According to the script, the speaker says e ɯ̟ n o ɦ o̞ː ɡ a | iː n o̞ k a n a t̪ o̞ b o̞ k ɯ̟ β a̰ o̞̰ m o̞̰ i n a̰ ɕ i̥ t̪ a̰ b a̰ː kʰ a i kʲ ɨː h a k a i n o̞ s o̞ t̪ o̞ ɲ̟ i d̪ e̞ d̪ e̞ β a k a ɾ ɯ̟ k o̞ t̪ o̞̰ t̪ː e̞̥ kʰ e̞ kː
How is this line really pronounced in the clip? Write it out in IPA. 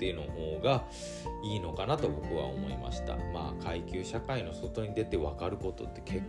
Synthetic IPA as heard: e ɯ̟ n o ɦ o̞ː ɡ a | iː n o̞ k a n a t̪ o̞ b o̞ k ɯ̟ β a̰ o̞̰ m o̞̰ i m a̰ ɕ i̥ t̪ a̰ m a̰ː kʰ a i kʲ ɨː ɕ a k a i n o̞ s o̞ t̪ o̞ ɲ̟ i d̪ e̞ t̪ e̞ β a k a ɾ ɯ̟ k o̞ t̪ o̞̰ t̪ː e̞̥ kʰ e̞ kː